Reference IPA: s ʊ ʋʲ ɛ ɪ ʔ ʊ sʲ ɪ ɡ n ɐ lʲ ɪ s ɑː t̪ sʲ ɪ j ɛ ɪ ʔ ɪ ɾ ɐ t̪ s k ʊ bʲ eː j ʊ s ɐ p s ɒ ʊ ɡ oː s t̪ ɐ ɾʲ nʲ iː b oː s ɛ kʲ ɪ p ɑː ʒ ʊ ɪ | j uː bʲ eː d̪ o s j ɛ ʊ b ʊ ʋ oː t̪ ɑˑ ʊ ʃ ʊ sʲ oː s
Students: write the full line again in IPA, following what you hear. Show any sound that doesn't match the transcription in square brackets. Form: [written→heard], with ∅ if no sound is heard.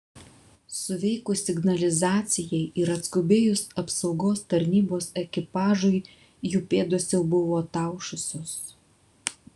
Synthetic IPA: s ʊ ʋʲ ɛ ɪ [ʔ→k] ʊ sʲ ɪ ɡ n ɐ lʲ ɪ [s→z] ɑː t̪ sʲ ɪ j ɛ ɪ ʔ ɪ ɾ ɐ t̪ s k ʊ bʲ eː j ʊ s ɐ p s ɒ ʊ ɡ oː s t̪ ɐ ɾʲ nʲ iː b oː s ɛ kʲ ɪ p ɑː ʒ ʊ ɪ | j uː [bʲ→pʲ] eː d̪ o s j ɛ ʊ b ʊ ʋ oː t̪ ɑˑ ʊ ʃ ʊ sʲ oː s